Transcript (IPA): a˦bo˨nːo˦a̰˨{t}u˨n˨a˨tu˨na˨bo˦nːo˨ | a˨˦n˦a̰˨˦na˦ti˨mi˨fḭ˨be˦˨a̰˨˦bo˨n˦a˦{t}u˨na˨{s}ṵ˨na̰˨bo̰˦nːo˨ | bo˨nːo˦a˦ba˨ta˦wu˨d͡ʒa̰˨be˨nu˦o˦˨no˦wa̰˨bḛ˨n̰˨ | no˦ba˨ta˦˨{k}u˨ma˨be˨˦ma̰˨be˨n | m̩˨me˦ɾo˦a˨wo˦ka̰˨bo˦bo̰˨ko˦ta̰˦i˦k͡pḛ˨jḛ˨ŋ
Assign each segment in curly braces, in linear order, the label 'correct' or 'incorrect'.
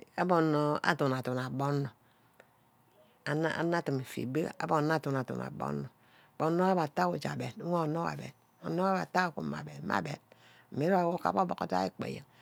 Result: correct, correct, incorrect: t, correct

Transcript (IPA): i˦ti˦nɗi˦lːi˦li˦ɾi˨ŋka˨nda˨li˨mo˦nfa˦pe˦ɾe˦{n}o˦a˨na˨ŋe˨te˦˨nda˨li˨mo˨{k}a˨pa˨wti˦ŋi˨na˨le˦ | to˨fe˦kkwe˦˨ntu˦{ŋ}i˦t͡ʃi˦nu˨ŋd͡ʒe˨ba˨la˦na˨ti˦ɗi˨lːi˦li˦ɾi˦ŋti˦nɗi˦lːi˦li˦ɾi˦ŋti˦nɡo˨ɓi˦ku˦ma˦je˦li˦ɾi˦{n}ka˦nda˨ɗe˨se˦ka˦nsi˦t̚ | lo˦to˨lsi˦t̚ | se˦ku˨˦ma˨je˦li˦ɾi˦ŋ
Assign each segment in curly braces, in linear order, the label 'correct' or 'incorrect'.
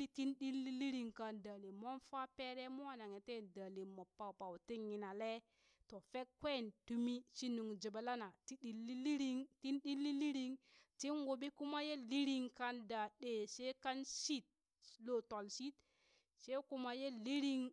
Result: incorrect: m, incorrect: p, incorrect: m, incorrect: ŋ

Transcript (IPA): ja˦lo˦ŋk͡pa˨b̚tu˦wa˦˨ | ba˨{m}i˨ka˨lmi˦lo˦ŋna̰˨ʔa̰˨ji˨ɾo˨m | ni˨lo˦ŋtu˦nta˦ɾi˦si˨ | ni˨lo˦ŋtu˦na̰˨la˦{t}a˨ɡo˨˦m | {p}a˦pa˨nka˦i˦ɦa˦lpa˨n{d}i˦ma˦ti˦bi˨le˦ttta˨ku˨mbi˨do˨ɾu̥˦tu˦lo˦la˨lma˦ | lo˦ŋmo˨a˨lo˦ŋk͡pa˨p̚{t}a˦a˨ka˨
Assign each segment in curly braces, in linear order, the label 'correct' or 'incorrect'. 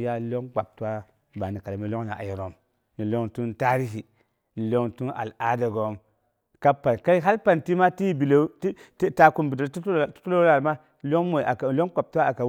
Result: incorrect: n, incorrect: d, incorrect: k, incorrect: t, correct

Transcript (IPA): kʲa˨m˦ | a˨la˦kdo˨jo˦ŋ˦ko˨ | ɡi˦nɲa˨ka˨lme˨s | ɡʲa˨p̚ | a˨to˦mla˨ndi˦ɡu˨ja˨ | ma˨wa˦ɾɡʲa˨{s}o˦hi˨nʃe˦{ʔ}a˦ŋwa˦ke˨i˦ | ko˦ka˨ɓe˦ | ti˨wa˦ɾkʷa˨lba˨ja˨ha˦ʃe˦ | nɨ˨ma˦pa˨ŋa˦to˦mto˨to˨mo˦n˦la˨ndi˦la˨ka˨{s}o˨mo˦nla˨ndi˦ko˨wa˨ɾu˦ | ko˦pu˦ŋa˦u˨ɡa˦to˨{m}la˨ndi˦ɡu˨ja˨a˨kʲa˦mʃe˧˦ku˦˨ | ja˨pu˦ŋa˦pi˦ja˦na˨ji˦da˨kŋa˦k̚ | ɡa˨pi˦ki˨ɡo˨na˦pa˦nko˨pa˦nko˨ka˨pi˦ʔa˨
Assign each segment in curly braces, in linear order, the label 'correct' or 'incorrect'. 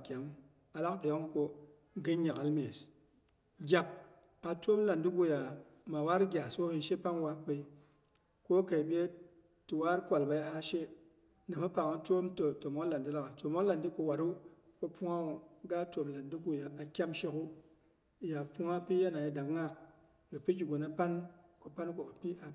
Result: correct, incorrect: p, incorrect: t, correct

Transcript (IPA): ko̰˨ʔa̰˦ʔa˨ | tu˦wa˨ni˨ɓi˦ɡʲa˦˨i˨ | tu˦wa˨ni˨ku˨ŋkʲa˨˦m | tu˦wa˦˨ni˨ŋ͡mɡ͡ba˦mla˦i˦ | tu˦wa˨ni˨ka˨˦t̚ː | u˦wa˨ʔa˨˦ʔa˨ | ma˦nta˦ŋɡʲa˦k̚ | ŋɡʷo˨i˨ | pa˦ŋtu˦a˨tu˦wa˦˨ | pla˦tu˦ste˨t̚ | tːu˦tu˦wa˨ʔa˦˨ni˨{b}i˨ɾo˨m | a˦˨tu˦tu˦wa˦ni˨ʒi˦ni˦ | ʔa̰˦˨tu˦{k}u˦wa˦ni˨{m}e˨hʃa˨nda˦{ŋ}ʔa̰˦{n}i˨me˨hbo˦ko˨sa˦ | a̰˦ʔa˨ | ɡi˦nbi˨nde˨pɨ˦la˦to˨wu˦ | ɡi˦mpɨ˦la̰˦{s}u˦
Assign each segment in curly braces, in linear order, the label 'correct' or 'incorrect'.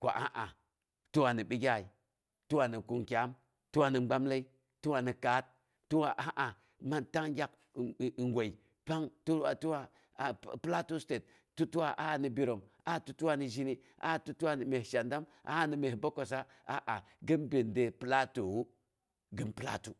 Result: correct, incorrect: t, correct, incorrect: m, correct, incorrect: t

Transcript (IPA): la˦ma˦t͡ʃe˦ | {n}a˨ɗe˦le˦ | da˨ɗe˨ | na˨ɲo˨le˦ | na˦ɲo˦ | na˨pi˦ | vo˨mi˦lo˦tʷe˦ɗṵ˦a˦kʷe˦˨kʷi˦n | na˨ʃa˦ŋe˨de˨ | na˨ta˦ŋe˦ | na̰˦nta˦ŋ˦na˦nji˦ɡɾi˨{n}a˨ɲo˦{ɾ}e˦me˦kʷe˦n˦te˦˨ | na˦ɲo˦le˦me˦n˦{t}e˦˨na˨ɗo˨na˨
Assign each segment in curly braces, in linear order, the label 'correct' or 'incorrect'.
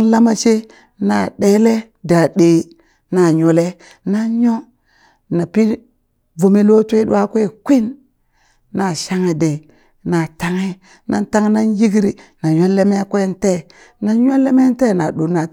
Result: correct, correct, incorrect: l, correct

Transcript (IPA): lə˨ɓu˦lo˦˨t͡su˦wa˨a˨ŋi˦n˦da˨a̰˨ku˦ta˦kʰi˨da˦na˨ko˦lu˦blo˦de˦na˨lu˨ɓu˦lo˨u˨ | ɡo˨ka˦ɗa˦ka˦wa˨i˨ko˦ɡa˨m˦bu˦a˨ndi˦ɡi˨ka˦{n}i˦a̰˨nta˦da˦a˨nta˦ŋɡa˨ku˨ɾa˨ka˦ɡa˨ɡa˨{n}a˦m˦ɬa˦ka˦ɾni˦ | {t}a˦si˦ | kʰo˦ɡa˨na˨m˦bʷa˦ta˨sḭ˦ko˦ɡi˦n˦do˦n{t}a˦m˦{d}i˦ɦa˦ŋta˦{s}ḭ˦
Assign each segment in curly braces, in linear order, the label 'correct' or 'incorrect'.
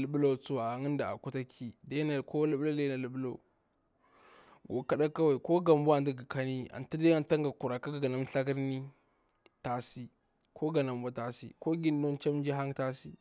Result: correct, correct, correct, incorrect: t͡ʃ, incorrect: d͡ʒ, correct

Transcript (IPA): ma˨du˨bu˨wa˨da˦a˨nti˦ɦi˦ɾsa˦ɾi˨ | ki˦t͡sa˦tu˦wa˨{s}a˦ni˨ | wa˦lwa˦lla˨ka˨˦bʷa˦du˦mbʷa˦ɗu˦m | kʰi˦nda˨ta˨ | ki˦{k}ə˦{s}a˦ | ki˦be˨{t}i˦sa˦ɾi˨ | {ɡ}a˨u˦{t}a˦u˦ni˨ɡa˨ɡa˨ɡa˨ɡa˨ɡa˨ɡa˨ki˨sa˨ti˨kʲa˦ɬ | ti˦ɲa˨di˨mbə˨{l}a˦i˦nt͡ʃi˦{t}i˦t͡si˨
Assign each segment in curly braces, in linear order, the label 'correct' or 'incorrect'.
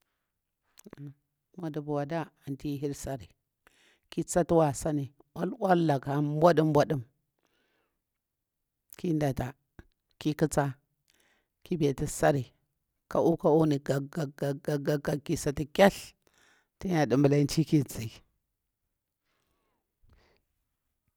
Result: correct, correct, incorrect: t͡s, correct, incorrect: k, incorrect: k, correct, incorrect: k

